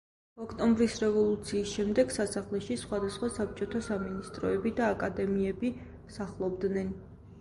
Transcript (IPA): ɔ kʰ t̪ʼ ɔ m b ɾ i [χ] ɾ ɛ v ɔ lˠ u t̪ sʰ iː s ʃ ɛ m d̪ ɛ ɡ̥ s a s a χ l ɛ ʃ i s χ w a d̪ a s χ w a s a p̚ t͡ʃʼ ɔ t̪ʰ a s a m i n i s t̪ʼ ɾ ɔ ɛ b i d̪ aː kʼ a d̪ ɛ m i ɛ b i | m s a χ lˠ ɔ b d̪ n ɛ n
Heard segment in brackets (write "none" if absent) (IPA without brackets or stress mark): s